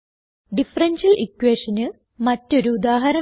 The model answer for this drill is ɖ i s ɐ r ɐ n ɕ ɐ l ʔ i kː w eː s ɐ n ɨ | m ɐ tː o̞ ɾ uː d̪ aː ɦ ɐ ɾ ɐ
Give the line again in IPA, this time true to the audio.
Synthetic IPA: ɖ i f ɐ r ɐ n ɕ ɐ l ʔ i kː w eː ʂ ɐ n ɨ | m ɐ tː o̞ ɾ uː d̪ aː ɦ ɐ ɾ ɐ